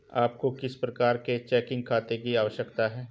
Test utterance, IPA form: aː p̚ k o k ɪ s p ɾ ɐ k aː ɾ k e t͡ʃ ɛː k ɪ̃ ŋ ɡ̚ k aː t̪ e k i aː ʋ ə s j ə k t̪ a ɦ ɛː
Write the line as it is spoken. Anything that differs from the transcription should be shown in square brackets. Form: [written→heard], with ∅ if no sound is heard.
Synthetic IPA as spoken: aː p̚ k o k ɪ s p ɾ ɐ k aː ɾ k e t͡ʃ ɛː k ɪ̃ ŋ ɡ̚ [k→kʰ] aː t̪ e k i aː ʋ ə [s→ʃ] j ə k t̪ a ɦ ɛː